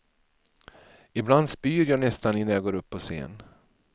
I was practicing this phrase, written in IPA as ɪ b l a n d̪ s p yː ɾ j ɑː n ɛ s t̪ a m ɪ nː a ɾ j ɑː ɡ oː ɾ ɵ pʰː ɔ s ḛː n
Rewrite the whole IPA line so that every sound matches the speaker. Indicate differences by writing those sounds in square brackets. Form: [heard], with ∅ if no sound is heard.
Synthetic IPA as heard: ɪ b l a n d̪ s p yː ɾ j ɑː n ɛ s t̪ a [n] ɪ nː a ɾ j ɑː ɡ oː ɾ ɵ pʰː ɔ s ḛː n